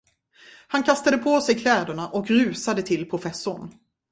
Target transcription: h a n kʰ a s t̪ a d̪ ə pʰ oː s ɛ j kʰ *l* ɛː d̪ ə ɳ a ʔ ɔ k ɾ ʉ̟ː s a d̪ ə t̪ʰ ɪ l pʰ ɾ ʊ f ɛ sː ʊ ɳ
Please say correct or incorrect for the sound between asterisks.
correct